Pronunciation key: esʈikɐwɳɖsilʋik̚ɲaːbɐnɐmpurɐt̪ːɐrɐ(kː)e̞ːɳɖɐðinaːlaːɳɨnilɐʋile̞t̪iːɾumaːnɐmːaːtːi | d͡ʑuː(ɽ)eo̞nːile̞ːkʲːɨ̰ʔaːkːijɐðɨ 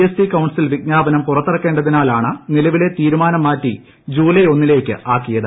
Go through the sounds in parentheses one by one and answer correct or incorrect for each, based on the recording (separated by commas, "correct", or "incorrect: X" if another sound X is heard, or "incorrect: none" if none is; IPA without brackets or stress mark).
correct, incorrect: l